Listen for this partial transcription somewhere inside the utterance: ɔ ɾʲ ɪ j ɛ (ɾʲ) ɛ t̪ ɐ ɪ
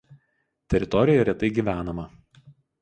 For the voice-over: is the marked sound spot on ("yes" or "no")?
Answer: yes